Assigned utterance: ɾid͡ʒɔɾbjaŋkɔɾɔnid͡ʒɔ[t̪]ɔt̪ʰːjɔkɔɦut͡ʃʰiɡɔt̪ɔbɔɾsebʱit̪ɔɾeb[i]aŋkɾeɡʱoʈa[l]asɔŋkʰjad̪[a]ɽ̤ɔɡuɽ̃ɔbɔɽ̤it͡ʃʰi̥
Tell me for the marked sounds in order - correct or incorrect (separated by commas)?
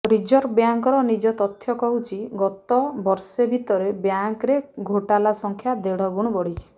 correct, incorrect, correct, incorrect